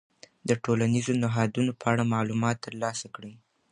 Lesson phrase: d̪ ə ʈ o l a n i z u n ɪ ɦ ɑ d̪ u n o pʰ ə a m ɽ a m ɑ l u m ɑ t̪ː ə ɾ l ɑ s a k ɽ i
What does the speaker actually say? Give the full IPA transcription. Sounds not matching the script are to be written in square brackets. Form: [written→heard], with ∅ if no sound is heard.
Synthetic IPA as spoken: d̪ ə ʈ o l a n i z [u→o] n ɪ ɦ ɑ d̪ u n o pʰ ə a [m→∅] ɽ a m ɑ l u m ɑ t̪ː ə ɾ l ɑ s a k ɽ i